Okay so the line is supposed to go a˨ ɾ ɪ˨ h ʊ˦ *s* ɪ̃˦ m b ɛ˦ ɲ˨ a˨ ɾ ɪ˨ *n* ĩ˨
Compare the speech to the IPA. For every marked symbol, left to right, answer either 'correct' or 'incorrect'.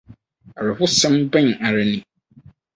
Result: correct, correct

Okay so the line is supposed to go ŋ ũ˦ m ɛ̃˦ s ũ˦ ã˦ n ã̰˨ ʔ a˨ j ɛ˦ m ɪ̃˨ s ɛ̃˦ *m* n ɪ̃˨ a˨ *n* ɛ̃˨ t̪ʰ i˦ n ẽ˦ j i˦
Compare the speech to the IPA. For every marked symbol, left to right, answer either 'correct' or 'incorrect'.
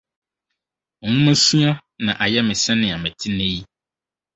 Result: incorrect, incorrect

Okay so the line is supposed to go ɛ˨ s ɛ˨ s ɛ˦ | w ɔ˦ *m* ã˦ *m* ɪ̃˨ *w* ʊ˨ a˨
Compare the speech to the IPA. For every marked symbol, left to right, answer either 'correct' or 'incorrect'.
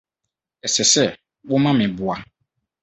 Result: correct, correct, incorrect

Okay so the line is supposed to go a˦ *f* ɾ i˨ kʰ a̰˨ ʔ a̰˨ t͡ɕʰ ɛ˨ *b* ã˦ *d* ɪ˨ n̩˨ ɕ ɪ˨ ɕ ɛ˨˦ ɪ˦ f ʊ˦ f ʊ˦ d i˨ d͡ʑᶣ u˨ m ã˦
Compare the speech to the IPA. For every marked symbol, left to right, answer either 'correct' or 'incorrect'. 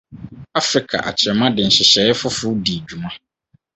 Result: correct, incorrect, correct

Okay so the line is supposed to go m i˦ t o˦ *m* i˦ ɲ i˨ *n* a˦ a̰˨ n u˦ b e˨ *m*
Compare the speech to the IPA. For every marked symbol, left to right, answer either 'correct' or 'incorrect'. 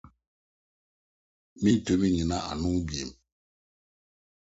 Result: correct, correct, correct

